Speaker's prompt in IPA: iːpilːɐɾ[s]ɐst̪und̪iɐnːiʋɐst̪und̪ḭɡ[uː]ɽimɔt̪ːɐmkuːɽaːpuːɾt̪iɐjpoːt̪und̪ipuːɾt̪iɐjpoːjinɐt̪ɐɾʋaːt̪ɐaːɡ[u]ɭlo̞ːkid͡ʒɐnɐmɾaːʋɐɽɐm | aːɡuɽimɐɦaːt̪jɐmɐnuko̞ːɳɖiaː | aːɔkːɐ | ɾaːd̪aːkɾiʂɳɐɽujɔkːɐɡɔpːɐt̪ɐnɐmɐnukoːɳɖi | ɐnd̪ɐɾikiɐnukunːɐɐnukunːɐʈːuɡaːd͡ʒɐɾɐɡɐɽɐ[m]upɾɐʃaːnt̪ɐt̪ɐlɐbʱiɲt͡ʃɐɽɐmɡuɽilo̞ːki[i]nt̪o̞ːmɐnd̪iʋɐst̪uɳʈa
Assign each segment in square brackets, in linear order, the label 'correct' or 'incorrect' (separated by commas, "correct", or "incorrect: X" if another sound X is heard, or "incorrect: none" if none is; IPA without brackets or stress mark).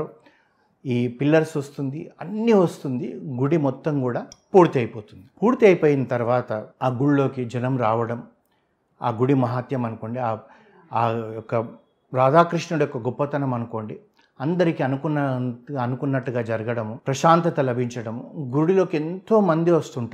correct, incorrect: u, correct, correct, incorrect: e